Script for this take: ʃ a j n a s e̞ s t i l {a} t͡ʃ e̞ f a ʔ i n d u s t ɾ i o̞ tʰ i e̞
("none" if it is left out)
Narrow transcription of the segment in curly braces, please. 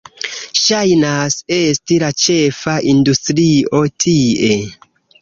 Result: a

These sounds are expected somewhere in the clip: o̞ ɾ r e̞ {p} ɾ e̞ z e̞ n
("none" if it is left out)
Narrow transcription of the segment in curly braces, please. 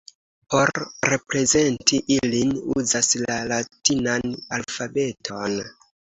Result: p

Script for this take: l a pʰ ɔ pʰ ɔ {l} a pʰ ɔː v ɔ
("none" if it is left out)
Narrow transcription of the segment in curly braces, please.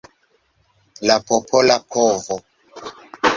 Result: l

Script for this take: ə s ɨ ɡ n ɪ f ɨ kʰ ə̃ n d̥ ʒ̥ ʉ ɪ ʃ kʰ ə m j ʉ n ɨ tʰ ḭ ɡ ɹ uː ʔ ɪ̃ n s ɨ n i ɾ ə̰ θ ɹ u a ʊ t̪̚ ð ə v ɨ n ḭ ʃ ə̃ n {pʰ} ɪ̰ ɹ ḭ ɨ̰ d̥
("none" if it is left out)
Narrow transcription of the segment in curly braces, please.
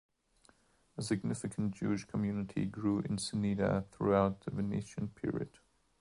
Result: pʰ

